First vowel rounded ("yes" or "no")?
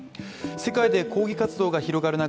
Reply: no